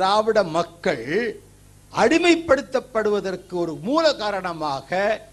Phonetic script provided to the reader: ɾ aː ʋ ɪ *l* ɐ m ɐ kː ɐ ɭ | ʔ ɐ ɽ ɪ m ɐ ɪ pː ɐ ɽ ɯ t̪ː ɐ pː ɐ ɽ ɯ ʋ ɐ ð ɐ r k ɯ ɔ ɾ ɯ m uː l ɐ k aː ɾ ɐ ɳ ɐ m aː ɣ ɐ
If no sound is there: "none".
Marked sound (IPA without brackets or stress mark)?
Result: ɽ